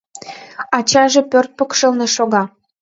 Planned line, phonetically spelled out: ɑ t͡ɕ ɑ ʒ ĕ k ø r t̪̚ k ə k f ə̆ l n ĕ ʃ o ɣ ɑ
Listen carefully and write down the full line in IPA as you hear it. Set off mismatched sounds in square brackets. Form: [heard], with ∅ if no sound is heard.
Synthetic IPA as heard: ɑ t͡ɕ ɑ ʒ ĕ [p] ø r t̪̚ [p] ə k [ʃ] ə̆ l n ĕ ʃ o ɣ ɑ